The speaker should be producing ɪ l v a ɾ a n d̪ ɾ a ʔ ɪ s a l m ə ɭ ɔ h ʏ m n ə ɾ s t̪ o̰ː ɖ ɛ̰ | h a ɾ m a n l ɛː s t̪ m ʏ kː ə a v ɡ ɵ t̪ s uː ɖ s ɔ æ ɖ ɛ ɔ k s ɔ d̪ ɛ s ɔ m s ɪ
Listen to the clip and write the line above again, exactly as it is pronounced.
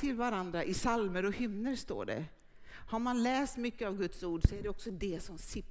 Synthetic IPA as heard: ɪ l v a ɾ a n d̪ ɾ a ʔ ɪ s a l m ə ɾ ɔ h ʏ m n ə ɾ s t̪ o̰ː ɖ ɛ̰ | h a ɾ m a n l ɛː s t̪ m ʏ kː ə a v ɡ ɵ t̪ s uː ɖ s ɔ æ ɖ ɛ ɔ k s ɔ d̪ ɛ s ɔ m s ɪ